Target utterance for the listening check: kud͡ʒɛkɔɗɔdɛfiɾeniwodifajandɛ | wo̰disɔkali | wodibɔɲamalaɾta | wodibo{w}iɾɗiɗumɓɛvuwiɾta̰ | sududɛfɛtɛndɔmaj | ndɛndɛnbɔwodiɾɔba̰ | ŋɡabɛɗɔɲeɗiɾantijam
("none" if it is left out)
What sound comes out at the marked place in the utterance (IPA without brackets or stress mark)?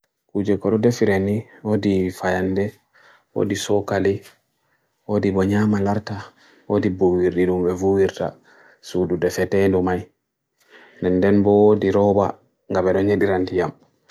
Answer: w